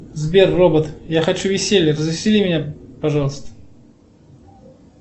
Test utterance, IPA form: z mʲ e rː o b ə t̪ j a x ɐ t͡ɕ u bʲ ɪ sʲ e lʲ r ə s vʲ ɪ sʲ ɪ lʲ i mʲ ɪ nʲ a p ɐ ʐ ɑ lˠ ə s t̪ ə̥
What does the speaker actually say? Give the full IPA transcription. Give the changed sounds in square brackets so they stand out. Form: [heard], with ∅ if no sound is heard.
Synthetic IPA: z [bʲ] e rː o b ə t̪ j a x ɐ t͡ɕ u [vʲ] ɪ sʲ e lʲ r ə [z] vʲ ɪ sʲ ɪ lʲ i mʲ ɪ nʲ a p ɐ ʐ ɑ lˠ ə s t̪ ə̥

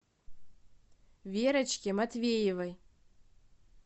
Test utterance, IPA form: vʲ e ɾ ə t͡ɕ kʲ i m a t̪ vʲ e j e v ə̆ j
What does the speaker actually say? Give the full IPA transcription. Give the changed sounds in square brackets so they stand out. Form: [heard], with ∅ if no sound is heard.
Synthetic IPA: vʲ e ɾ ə t͡ɕ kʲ [e] m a t̪ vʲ e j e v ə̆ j

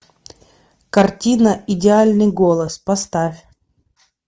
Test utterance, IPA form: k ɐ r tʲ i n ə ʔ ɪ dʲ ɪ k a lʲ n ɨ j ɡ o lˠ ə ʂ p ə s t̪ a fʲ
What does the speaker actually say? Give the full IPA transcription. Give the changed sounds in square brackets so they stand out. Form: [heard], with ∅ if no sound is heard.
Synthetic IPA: k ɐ r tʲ i n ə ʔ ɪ dʲ ɪ [∅] a lʲ n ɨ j ɡ o lˠ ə [s] p [ɐ] s t̪ a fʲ

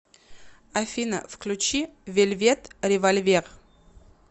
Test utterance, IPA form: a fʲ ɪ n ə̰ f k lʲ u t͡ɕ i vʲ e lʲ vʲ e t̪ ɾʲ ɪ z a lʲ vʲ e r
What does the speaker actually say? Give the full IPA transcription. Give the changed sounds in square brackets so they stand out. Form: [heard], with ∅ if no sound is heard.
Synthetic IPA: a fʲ [i] n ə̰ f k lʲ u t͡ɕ i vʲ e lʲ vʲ e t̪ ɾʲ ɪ [v] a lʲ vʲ e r

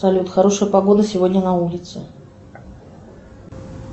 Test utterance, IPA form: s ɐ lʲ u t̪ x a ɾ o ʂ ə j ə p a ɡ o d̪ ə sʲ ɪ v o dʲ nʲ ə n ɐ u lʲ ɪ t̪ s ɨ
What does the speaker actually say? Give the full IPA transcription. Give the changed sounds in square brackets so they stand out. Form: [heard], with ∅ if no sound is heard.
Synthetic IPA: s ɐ lʲ u t̪ x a ɾ o ʂ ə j ə p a ɡ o d̪ ə sʲ ɪ v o dʲ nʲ ə n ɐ u lʲ ɪ t̪ s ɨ

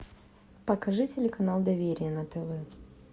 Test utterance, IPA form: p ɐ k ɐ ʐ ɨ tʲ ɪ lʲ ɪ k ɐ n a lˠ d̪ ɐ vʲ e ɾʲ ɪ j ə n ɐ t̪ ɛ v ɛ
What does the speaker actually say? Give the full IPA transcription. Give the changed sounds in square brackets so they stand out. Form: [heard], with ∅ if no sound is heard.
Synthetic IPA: p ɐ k ɐ ʐ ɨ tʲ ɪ lʲ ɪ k ɐ n a lˠ d̪ ɐ vʲ e ɾʲ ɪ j ə n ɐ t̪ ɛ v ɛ

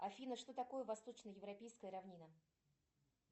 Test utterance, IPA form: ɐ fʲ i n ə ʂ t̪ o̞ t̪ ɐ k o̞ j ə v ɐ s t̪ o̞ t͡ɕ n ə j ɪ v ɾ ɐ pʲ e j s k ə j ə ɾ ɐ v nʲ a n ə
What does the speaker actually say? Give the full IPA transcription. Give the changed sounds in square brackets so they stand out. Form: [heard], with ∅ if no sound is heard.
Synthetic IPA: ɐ fʲ i n ə ʂ t̪ o̞ t̪ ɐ k o̞ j ə v ɐ s t̪ o̞ t͡ɕ n ə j ɪ v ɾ ɐ pʲ e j s k ə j ə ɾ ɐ v nʲ [i] n ə

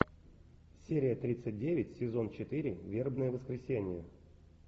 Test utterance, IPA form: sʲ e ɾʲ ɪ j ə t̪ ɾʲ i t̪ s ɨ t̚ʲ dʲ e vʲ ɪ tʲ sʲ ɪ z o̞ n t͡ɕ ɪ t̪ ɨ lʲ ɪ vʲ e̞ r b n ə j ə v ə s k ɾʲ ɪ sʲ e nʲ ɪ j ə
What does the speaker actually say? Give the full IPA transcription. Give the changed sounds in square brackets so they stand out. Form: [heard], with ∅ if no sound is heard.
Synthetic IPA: sʲ e ɾʲ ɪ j ə t̪ ɾʲ i t̪ s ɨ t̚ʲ dʲ e vʲ ɪ tʲ sʲ ɪ z o̞ n t͡ɕ ɪ t̪ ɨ [ɾʲ] ɪ vʲ e̞ r b n ə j ə v ə s k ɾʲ ɪ sʲ e nʲ ɪ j ə

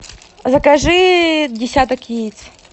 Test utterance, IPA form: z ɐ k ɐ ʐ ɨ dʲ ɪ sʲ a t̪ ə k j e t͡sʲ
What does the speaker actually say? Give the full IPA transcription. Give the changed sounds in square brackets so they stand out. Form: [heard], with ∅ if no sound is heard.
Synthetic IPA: z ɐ k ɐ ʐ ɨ dʲ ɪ sʲ a t̪ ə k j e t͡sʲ

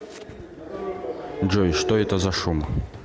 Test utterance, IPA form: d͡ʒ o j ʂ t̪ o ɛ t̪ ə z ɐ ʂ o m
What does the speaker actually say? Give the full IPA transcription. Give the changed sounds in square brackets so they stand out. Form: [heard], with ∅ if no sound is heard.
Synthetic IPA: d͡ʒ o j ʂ t̪ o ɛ t̪ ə z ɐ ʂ [u] m

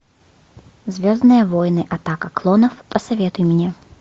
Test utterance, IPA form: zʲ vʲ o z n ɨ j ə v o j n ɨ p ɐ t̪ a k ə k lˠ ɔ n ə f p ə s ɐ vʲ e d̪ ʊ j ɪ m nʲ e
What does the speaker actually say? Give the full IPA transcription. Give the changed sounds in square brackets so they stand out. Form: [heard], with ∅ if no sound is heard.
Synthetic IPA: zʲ vʲ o z n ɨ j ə v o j n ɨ [ʔ] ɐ t̪ a k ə k lˠ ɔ n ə f p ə s ɐ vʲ e [t̪] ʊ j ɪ m nʲ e

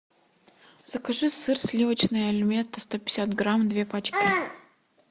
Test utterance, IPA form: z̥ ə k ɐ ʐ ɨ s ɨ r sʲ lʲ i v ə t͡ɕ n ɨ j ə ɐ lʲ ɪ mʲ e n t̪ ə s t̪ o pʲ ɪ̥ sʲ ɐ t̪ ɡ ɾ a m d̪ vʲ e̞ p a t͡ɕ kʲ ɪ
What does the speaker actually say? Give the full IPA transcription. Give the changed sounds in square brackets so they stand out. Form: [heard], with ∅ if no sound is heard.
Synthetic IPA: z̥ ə k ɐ ʐ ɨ s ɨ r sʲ lʲ i v ə t͡ɕ n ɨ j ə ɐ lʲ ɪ mʲ e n t̪ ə s t̪ o pʲ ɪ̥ sʲ [a] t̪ ɡ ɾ a m d̪ vʲ e̞ p a t͡ɕ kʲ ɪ

